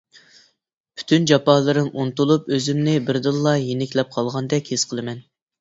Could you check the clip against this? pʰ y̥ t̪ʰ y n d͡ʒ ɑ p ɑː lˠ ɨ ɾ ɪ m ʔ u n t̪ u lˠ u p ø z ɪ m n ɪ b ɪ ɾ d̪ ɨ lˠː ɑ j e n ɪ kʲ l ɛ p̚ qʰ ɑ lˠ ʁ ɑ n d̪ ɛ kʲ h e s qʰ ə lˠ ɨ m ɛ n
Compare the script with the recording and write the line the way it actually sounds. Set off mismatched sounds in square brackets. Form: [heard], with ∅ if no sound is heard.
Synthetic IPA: pʰ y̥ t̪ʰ y n d͡ʒ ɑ p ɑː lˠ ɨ ɾ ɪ m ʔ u n t̪ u lˠ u p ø z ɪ m n ɪ b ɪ ɾ d̪ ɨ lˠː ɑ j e n ɪ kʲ l ɛ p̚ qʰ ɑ lˠ ʁ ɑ n d̪ ɛ kʲ h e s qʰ ə lˠ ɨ m ɛ n